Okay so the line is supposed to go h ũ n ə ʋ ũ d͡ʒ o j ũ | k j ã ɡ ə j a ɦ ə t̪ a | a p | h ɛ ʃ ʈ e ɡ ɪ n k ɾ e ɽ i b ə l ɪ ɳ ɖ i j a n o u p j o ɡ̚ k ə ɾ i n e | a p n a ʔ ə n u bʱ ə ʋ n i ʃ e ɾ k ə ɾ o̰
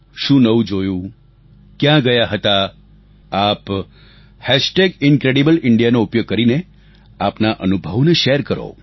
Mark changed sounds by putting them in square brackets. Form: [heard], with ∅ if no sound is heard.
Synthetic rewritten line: [ʃ] ũ n ə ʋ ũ d͡ʒ o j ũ | k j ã ɡ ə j a ɦ ə t̪ a | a p | h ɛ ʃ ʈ e ɡ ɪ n k ɾ e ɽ i b ə l ɪ ɳ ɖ i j a n o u p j o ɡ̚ k ə ɾ i n e | a p n a ʔ ə n u bʱ ə ʋ n [e] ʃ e ɾ k ə ɾ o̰